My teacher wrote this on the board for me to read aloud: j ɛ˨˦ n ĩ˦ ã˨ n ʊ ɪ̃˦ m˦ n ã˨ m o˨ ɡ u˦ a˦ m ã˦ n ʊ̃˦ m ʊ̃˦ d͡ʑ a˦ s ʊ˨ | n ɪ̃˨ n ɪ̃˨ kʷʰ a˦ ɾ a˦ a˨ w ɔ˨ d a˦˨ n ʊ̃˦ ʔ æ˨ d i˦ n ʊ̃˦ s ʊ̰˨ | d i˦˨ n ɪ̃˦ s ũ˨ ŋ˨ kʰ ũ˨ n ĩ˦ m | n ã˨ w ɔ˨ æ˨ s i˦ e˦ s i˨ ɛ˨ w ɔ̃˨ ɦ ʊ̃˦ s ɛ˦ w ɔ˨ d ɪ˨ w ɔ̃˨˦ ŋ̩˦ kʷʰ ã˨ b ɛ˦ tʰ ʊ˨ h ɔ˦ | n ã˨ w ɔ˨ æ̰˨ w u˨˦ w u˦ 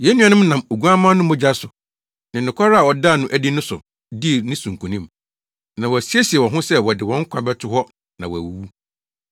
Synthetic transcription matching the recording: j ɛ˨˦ n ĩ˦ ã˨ n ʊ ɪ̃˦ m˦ n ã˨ m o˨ ɡ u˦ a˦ m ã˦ n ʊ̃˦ m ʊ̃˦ d͡ʑ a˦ s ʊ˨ | n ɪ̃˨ n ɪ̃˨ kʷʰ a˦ ɾ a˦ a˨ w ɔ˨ d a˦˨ n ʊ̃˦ ʔ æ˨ d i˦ n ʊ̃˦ s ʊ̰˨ | d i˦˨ n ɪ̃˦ s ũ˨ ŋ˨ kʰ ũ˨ n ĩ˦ m | n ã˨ w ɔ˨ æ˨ s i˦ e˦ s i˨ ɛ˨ w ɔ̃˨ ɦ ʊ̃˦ s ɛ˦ w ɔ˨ d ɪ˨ w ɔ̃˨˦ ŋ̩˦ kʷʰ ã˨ b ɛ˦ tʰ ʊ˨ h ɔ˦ | n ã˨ w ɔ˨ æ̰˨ w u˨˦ w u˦